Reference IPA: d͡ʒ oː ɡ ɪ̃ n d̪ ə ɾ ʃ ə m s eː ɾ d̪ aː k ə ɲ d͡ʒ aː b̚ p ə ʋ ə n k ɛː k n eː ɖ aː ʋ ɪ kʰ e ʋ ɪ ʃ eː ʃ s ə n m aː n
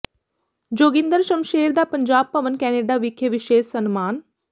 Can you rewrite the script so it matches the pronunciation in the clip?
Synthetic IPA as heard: d͡ʒ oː ɡ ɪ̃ n d̪ ə ɾ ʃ ə m ʃ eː ɾ d̪ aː p ə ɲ d͡ʒ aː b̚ p ə ʋ ə n k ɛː n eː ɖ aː ʋ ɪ kʰ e ʋ ɪ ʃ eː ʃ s ə n m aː n